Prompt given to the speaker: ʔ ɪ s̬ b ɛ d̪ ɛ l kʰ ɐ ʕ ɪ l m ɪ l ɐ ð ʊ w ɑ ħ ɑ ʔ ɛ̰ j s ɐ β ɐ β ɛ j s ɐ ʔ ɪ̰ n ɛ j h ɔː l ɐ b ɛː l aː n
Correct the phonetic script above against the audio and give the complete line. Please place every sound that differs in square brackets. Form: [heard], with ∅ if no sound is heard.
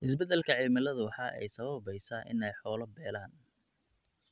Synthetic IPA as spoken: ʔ ɪ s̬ b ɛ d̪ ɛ l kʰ ɐ ʕ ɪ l m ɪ l ɐ ð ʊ w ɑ ħ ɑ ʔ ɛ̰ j s ɐ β ɐ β ɛ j s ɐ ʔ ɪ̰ n ɛ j [ħ] ɔː l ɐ b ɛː l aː n